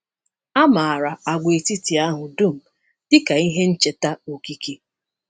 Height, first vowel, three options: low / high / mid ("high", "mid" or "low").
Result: low